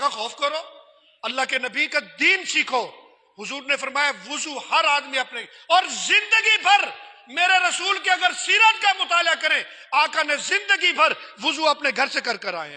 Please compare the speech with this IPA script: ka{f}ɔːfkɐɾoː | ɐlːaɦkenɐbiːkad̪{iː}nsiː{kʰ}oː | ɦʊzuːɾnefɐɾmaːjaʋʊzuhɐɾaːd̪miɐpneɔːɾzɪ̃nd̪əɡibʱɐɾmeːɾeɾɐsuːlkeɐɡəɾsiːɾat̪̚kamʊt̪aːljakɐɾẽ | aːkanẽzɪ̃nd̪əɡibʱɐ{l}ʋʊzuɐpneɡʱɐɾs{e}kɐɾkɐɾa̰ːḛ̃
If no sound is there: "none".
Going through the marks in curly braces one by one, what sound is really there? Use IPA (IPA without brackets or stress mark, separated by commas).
x, iː, kʰ, ɾ, e